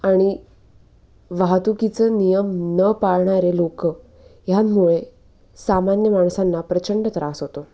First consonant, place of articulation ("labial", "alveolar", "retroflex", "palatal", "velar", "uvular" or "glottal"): retroflex